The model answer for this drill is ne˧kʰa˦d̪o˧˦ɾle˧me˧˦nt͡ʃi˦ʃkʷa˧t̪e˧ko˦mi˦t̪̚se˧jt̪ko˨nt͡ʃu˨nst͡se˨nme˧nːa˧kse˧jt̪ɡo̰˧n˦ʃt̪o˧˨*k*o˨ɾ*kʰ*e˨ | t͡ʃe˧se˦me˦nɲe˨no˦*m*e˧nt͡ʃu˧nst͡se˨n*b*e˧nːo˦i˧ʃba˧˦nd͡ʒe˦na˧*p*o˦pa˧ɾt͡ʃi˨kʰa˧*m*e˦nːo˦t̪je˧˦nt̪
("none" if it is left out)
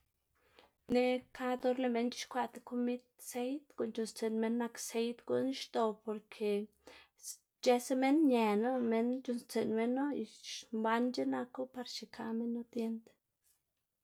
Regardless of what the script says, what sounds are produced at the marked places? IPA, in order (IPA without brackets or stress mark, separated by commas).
p, kʰ, m, m, k, m